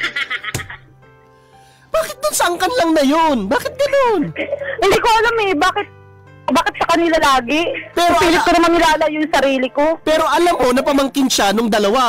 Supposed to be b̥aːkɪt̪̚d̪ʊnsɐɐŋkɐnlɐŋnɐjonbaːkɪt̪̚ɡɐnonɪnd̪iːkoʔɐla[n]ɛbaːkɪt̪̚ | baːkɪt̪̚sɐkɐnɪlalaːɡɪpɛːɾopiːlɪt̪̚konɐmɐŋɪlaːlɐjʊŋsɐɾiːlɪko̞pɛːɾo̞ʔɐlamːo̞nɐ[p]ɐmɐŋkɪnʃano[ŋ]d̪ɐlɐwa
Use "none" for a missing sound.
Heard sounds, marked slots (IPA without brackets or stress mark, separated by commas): m, p, ŋ